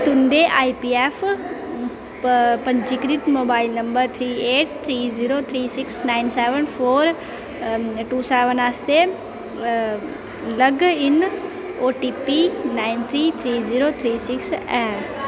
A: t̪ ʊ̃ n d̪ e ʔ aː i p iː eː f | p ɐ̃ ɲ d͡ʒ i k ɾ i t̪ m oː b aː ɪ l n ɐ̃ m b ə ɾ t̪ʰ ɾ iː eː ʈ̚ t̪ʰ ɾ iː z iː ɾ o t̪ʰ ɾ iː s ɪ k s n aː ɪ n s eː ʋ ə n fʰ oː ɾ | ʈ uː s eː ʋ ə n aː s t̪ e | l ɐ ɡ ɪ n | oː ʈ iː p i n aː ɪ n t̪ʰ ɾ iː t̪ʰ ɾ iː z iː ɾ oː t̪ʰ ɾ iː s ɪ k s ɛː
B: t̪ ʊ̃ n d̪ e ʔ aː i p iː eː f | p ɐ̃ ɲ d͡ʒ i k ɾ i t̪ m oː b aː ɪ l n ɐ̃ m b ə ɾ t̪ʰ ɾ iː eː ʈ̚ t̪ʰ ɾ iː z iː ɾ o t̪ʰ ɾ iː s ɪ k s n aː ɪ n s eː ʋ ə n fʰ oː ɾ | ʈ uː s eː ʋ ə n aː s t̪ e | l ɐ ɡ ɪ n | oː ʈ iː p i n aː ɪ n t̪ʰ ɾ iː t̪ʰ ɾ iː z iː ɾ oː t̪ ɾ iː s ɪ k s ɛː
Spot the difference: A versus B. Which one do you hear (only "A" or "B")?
A